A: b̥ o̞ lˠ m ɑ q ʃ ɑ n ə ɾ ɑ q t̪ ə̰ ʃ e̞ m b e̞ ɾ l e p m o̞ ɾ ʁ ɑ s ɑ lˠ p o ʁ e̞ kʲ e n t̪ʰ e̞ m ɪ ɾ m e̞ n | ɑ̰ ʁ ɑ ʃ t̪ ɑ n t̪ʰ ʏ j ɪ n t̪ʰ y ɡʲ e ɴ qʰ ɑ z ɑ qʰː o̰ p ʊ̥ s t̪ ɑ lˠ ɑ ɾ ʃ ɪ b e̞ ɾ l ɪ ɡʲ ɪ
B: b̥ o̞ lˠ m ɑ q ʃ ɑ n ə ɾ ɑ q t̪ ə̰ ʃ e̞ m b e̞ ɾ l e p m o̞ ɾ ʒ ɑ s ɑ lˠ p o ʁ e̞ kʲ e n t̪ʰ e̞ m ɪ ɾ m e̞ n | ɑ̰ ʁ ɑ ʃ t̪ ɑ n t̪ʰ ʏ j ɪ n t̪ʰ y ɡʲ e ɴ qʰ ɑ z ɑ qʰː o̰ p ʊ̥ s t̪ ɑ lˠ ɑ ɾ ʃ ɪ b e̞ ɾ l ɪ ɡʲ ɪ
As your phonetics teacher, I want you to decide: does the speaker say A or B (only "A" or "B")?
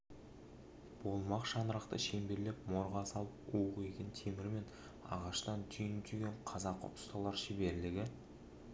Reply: A